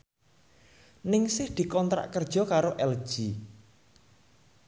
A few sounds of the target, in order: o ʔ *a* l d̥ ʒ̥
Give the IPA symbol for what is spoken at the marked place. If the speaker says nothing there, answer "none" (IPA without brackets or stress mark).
ɛ